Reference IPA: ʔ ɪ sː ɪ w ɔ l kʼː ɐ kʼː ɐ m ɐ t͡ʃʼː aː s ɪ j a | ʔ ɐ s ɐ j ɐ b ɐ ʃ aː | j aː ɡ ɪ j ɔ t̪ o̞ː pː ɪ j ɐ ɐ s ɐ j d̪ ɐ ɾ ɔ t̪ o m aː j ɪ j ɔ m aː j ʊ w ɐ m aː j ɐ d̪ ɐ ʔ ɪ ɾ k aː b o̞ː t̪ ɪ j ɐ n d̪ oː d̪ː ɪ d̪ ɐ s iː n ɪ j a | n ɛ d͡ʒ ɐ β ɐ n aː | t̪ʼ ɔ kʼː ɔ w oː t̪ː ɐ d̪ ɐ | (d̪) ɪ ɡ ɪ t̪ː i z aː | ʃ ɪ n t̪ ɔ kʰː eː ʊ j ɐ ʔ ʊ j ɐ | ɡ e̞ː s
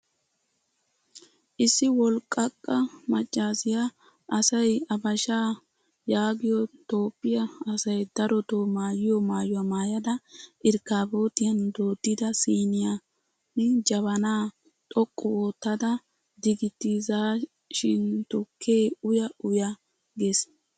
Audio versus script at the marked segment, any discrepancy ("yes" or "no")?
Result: no